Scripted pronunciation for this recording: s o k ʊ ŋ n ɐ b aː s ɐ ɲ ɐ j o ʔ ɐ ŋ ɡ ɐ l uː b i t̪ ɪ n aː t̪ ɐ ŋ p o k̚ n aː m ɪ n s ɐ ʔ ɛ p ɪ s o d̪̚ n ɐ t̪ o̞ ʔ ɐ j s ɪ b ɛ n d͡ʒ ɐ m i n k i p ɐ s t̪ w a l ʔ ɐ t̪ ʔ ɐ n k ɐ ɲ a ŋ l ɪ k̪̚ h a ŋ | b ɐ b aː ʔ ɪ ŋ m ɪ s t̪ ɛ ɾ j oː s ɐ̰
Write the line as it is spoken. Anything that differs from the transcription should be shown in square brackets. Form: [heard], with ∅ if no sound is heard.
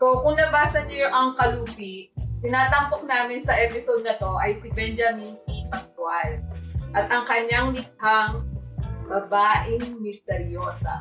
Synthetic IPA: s o k ʊ ŋ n ɐ b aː s ɐ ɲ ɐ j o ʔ ɐ ŋ [k] ɐ l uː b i t̪ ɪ n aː t̪ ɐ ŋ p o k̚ n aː m ɪ n s ɐ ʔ ɛ p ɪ s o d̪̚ n ɐ t̪ o̞ ʔ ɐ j s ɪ b ɛ n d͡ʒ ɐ m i n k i p ɐ s t̪ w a l ʔ ɐ t̪ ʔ ɐ [ŋ] k ɐ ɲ a ŋ l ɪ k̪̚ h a ŋ | b ɐ b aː ʔ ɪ ŋ m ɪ s t̪ ɛ ɾ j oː s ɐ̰